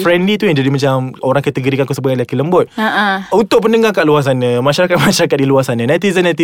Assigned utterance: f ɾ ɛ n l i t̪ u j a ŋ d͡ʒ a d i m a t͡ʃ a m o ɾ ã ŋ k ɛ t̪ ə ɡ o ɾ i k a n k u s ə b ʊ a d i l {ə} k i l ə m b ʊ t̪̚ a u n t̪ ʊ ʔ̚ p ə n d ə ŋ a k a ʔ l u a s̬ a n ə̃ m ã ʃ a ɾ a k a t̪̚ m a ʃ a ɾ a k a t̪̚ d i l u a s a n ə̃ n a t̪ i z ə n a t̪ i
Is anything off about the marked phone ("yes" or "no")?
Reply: yes